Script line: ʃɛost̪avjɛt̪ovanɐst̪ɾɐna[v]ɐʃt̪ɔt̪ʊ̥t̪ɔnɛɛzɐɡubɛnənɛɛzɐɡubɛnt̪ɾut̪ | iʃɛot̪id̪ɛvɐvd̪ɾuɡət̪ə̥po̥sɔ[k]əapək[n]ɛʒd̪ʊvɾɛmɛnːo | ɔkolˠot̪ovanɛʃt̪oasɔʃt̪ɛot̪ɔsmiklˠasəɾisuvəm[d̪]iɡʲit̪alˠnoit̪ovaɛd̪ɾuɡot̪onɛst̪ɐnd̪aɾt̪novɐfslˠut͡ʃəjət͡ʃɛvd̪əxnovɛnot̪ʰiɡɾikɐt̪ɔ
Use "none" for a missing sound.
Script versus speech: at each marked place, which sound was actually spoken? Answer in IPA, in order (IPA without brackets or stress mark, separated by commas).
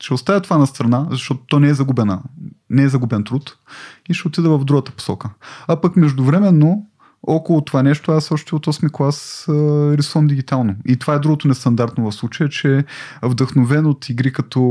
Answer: z, k, m, d̪